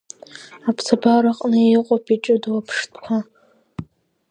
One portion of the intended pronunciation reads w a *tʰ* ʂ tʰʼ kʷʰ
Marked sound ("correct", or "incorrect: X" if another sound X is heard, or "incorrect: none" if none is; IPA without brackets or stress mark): incorrect: pʰ